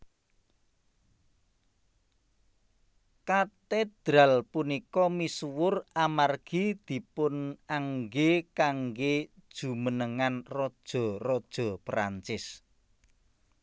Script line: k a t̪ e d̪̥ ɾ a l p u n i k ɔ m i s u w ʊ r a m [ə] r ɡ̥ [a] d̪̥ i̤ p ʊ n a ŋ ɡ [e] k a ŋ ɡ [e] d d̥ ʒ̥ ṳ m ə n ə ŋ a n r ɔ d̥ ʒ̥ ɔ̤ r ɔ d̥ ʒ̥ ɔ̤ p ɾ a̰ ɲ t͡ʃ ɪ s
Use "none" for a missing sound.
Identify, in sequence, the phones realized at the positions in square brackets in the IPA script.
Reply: a, i, e, e

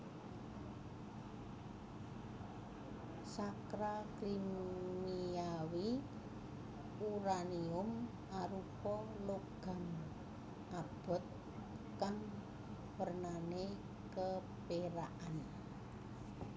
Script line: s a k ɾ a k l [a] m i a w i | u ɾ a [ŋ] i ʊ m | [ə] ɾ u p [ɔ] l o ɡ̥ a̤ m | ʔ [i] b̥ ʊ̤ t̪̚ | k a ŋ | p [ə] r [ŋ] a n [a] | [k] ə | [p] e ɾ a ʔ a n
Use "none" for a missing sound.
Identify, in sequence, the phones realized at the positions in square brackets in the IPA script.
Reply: i, n, a, ɔ, a, ə, n, e, k, p

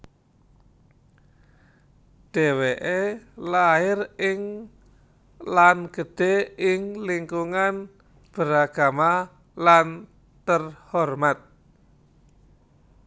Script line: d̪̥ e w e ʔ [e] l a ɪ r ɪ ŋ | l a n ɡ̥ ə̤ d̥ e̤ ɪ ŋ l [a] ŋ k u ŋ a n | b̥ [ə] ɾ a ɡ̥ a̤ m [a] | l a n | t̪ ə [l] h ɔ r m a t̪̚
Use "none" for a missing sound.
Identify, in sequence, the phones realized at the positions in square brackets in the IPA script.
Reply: e, i, ə, a, r

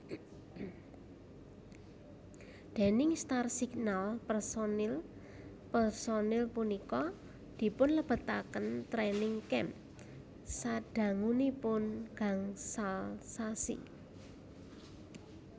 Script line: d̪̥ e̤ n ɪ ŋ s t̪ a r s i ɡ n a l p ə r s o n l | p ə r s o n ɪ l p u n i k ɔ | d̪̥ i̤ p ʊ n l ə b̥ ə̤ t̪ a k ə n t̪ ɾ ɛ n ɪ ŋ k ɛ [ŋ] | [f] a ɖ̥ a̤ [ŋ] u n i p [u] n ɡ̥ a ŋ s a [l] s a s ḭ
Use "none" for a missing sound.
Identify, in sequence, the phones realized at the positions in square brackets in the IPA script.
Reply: m, s, ŋ, ʊ, l

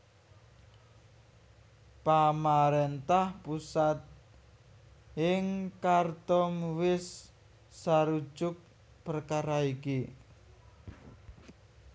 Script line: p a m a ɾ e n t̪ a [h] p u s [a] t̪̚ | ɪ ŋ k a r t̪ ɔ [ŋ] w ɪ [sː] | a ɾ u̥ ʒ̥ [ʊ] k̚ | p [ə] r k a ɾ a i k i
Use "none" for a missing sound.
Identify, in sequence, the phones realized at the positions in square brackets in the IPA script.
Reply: h, a, m, sː, ʊ, ə

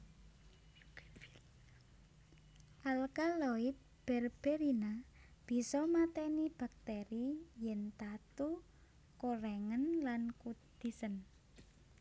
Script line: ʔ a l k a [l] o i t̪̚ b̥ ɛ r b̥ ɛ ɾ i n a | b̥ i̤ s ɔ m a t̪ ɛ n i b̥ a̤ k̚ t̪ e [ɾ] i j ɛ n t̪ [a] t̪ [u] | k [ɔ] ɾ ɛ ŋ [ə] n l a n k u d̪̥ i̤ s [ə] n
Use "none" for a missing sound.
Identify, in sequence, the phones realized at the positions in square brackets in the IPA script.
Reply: l, ɾ, a, u, o, ə, ə

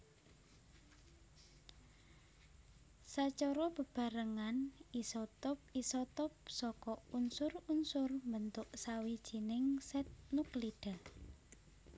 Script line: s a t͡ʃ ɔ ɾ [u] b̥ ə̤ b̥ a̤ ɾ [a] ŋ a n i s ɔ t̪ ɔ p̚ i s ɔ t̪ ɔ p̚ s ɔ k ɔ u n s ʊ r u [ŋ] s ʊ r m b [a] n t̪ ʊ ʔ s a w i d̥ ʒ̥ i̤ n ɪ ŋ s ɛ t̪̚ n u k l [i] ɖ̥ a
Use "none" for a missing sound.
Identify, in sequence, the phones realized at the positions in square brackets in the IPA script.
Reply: ɔ, ə, n, ə, i

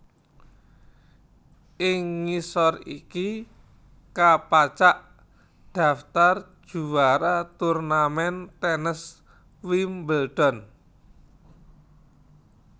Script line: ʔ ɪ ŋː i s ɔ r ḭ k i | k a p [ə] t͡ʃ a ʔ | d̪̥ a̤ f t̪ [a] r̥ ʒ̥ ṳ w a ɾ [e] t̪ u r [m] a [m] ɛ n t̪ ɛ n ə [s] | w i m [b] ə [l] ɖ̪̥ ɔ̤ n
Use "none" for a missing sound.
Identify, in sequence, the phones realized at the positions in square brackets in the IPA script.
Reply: a, a, a, n, m, s, b, l

